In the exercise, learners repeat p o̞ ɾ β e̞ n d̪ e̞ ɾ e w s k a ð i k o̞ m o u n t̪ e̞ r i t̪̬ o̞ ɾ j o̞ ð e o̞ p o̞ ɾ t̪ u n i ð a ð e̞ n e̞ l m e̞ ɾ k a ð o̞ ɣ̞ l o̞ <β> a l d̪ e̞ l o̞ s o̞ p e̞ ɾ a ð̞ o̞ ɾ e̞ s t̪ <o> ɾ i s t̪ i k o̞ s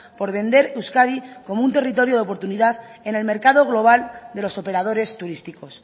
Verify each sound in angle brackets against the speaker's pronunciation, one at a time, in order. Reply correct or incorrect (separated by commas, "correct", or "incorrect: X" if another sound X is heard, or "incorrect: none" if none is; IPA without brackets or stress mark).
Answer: correct, incorrect: u